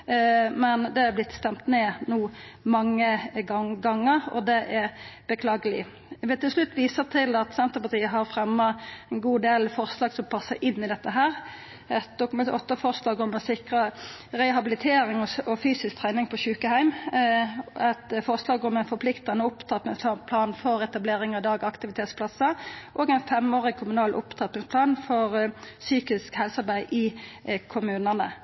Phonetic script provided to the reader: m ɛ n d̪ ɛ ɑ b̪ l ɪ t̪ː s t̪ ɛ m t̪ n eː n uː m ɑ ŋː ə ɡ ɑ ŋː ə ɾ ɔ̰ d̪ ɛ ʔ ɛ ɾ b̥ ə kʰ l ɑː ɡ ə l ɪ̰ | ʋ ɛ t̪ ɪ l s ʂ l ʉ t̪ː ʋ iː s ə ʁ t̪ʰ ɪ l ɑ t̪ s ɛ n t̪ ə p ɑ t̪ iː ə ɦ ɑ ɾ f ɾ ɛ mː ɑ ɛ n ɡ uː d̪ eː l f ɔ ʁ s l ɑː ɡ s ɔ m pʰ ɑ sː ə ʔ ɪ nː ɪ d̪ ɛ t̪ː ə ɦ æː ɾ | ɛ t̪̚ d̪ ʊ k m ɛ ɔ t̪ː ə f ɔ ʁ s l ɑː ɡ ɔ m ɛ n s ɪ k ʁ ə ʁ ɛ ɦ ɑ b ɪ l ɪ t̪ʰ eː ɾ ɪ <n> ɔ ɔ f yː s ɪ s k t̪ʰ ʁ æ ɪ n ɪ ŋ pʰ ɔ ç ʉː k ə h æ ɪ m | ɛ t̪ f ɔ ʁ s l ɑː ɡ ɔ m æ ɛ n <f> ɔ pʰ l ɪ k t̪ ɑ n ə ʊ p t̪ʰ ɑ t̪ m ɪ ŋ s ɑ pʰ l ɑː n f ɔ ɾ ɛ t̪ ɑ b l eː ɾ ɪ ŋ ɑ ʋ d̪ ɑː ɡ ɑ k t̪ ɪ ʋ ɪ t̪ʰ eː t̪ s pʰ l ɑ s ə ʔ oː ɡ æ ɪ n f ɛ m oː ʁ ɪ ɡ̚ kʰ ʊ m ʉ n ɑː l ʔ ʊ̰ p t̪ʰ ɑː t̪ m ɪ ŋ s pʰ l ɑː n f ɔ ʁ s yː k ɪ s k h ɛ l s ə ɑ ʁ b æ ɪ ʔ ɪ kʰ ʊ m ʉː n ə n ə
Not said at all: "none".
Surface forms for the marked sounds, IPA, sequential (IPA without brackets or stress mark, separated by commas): ŋ, f